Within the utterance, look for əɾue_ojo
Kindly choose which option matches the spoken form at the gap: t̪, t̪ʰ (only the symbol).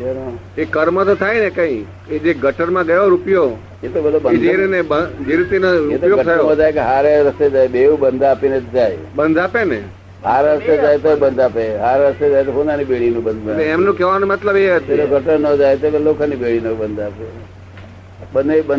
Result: t̪